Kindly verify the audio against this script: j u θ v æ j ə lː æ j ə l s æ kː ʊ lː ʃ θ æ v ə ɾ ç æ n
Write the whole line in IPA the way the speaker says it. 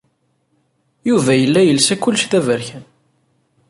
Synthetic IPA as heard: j u v æ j ə lː æ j ə l s æ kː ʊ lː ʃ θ æ v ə ɾ ç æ n